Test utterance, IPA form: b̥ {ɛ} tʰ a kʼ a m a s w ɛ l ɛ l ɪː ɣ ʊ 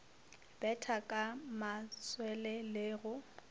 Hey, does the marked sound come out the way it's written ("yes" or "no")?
yes